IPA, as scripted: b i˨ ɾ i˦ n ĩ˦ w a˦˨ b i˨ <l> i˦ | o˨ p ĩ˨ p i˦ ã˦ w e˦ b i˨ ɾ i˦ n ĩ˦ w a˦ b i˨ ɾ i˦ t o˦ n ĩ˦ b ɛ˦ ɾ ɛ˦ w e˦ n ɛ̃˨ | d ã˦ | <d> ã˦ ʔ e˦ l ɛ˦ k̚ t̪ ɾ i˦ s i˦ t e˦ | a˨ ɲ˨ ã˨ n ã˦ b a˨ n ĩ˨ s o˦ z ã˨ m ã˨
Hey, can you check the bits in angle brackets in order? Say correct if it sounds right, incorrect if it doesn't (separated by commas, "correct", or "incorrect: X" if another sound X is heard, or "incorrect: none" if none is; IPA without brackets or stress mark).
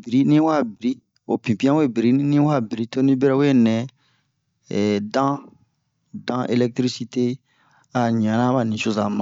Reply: incorrect: ɾ, correct